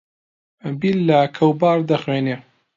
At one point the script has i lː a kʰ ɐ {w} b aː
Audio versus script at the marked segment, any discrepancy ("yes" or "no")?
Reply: no